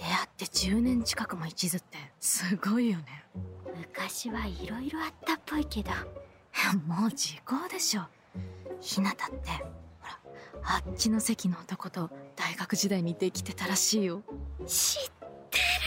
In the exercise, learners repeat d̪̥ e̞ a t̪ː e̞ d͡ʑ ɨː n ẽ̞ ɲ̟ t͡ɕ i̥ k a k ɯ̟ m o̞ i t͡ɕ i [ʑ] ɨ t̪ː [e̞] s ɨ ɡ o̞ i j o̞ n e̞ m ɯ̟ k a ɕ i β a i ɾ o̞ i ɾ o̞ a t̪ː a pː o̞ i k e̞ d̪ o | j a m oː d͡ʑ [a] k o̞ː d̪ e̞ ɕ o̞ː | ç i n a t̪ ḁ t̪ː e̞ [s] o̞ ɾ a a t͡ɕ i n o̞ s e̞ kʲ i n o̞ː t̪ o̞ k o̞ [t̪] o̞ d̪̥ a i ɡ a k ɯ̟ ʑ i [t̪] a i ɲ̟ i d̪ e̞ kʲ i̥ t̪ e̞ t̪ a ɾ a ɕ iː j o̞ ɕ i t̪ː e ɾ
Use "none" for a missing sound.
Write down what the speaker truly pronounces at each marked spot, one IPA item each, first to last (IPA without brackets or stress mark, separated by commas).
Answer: z, e̞, i, h, t̪, d̪